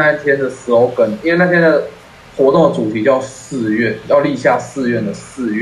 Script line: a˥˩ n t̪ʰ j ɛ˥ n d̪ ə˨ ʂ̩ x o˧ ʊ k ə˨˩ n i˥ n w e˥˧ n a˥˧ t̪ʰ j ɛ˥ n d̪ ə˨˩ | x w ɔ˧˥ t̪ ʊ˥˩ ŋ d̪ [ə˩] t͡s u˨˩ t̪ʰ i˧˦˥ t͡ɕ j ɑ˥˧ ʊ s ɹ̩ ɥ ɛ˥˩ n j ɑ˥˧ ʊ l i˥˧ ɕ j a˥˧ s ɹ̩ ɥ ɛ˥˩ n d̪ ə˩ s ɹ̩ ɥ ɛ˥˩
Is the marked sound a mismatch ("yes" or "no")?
no